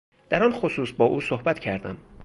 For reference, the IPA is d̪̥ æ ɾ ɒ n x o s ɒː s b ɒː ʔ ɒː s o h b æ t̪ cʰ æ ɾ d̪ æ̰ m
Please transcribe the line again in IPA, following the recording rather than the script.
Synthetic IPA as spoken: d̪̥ æ ɾ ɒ n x o s uː s b ɒː ʔ uː s o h b æ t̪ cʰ æ ɾ d̪ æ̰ m